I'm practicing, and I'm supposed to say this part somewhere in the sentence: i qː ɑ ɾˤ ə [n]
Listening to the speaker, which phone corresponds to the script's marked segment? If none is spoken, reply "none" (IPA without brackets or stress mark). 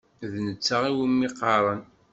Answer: n